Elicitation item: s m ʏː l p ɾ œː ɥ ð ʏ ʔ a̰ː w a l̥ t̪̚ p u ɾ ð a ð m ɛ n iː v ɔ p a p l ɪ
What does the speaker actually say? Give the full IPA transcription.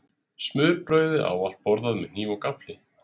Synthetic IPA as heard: s m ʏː ɾ p ɾ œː ɥ ð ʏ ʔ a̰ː w a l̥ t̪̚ p ɔ ɾ ð a ð m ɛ n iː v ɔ k a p l ɪ

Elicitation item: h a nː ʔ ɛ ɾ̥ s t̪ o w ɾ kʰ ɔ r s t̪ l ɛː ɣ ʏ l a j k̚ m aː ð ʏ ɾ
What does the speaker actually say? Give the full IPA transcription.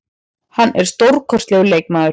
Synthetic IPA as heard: h a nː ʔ ɛ ɾ̥ s t̪ o w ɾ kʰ ɔ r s t̪ l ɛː ɣ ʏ l e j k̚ m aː ð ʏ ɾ

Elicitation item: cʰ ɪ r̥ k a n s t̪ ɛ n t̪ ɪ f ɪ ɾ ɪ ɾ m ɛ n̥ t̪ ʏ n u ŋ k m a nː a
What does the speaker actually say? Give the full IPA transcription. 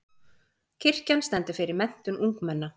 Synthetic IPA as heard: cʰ ɪ r̥ c a n s t̪ ɛ n t̪ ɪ f ɪ ɾ ɪ ɾ m ɛ n̥ t̪ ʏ n u ŋ k m ɛ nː a

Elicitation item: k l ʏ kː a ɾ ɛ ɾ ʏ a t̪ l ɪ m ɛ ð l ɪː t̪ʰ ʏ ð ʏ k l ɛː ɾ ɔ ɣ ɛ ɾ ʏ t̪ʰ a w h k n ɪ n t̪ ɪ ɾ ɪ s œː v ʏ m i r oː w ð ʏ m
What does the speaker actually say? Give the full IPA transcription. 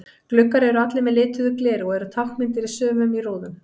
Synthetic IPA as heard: k l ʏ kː a ɾ ɛ ɾ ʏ a t̪ l ɪ m ɛ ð l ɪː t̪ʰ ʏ ð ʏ k l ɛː ɾ ɔ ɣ ɛ ɾ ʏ t̪ʰ a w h k m ɪ n t̪ ɪ ɾ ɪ s œː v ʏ m i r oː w ð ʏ m

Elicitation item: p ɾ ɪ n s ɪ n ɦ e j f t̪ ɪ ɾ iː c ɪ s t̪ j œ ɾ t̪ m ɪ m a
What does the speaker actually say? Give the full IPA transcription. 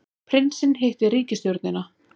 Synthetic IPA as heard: pʰ ɾ ɪ n s ɪ n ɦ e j h t̪ ɪ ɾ iː c ɪ s t̪ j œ ɾ t̪ n ɪ n a

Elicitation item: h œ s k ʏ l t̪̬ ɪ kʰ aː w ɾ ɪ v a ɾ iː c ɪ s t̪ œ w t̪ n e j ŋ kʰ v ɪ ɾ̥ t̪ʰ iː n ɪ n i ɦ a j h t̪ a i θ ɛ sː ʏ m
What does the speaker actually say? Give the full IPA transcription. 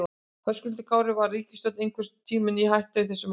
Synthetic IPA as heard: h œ s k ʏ l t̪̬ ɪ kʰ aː w ɾ ɪ v a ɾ iː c ɪ s t̪ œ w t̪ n e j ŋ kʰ v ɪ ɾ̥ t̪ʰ iː m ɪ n i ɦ a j h t̪ a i θ ɛ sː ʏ m

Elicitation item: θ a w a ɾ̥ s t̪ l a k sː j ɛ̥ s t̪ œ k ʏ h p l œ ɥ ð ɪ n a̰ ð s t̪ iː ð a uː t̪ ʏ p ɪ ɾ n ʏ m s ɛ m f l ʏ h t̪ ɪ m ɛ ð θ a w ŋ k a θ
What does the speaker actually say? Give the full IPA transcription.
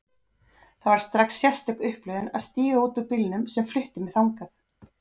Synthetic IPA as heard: θ a v a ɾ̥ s t̪ ɾ a k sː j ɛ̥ s t̪ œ k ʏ h p l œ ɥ ð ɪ n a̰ ð s t̪ iː ɣ a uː t̪ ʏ p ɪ l n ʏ m s ɛ m f l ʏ h t̪ ɪ m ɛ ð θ a w ŋ k a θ

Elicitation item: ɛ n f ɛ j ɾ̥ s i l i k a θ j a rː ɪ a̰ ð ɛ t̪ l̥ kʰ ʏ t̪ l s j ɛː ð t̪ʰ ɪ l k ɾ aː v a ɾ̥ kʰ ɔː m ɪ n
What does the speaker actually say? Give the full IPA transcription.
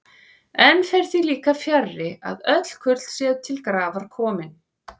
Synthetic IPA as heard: ɛ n f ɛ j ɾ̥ θ i l iː k a f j a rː ɪ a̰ ð œ t̪ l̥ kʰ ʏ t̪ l s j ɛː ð t̪ʰ ɪ l k ɾ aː v a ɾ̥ kʰ ɔː m ɪ n

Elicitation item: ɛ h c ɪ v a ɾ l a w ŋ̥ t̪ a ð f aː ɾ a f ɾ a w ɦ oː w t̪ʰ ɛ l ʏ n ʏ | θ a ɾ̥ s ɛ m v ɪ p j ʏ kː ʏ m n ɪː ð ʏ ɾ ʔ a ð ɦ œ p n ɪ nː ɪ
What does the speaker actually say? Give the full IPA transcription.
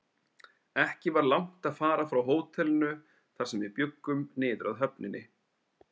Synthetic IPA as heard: ɛ h c ɪ v a ɾ l a w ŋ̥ t̪ a ð f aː ɾ a f ɾ a w ɦ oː w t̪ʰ ɛ l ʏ n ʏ | θ a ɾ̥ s ɛ m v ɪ p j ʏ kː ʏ m n ɪː ð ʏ ɾ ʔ a ð ɦ œ p n ɪ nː ɪ

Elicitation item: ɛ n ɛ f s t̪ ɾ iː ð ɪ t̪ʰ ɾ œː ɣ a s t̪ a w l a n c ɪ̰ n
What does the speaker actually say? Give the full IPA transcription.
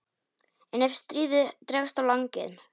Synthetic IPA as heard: ɛ n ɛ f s t̪ ɾ iː ð ɪ t̪ ɾ ɛː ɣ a s t̪ a w l a ŋ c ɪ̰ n

